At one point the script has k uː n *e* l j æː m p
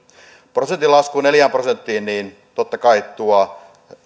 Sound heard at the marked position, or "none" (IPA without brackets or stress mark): e